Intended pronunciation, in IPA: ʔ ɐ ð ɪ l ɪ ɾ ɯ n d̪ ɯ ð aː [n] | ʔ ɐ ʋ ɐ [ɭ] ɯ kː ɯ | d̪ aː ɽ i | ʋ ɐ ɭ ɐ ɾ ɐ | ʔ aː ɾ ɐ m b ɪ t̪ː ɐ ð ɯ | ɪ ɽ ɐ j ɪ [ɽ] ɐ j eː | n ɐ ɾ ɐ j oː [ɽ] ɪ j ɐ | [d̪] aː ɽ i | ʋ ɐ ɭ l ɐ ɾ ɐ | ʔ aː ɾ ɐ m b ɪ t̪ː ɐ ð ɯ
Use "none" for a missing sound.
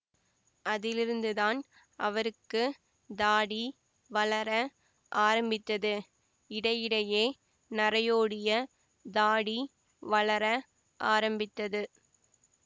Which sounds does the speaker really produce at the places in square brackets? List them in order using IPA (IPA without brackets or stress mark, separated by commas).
n, ɾ, ɽ, ɽ, d̪